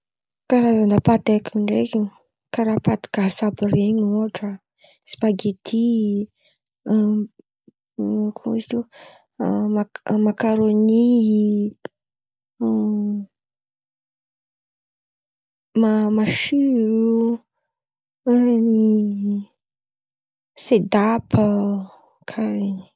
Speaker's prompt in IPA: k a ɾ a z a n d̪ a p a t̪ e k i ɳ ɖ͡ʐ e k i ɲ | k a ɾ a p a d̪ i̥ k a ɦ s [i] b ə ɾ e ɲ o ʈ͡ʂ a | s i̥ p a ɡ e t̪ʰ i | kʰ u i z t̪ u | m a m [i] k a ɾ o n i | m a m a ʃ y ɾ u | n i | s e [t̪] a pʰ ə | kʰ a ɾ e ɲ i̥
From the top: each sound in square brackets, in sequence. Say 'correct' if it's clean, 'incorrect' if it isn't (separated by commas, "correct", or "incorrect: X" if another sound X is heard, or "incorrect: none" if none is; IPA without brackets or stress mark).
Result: incorrect: a, incorrect: a, incorrect: d̪